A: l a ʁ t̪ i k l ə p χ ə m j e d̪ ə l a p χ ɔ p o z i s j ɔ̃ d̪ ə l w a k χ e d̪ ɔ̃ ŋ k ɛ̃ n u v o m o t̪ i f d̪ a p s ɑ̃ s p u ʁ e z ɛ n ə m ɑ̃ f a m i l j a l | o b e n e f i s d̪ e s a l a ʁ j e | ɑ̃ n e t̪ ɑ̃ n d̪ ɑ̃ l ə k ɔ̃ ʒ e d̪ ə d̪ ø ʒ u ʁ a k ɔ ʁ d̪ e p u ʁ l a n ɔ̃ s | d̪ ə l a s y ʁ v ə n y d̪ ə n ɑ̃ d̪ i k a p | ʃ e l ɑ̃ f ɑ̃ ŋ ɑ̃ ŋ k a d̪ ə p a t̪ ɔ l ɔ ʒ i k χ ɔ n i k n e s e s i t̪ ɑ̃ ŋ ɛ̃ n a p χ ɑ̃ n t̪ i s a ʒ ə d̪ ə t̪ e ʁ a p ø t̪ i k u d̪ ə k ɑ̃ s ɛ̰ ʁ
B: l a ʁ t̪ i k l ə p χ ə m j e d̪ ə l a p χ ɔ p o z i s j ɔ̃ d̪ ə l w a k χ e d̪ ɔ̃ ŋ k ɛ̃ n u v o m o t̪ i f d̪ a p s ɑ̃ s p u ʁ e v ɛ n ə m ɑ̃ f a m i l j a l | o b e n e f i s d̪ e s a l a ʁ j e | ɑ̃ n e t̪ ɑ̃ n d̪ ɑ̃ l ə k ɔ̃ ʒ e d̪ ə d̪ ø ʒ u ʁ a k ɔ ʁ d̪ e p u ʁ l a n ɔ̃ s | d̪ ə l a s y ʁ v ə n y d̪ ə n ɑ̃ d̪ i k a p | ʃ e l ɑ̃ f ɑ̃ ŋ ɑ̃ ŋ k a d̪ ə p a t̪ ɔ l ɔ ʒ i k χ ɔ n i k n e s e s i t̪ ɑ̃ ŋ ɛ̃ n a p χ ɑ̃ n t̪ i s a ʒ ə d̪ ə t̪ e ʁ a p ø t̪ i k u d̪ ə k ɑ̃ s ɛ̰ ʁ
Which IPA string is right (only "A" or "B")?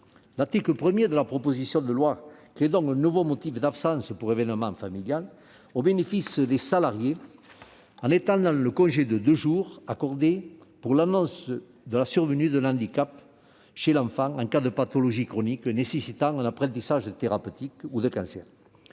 B